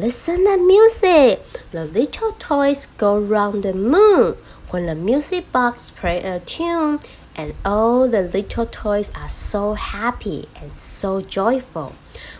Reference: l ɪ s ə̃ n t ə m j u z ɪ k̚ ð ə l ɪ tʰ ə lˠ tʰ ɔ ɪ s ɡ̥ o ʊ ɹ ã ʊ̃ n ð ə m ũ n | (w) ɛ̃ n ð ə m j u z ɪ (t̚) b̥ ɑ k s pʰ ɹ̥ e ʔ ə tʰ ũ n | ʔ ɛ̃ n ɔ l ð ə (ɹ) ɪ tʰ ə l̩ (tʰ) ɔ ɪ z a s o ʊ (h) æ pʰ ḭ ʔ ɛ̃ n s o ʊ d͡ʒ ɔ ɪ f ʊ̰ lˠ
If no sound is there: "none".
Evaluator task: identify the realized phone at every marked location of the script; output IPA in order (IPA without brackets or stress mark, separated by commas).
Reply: w, k̚, l, tʰ, h